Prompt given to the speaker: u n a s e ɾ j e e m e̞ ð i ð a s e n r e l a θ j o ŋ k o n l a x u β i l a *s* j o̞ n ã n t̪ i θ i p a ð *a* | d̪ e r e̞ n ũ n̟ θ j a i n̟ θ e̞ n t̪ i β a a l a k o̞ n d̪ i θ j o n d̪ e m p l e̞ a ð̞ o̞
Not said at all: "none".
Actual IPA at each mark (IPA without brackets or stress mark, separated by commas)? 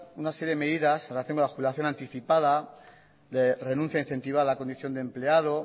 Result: θ, a